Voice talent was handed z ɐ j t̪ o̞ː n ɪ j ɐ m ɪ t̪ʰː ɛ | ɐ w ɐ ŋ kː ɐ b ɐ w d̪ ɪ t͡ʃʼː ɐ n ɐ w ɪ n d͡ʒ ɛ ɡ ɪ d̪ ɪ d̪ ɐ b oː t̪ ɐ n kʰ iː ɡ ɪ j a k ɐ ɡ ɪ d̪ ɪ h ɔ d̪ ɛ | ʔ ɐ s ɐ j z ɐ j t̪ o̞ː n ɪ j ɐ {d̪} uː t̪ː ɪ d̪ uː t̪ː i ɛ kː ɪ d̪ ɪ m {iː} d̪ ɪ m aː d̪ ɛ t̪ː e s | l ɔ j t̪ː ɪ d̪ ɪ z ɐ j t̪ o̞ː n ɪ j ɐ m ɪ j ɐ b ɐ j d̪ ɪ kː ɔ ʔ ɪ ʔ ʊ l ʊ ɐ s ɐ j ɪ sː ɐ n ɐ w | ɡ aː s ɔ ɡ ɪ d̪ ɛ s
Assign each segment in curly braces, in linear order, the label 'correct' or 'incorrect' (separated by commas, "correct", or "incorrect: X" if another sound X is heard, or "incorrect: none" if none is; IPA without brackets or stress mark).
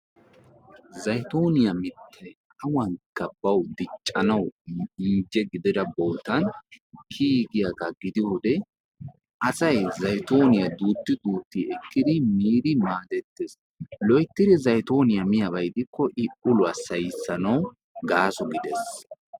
correct, correct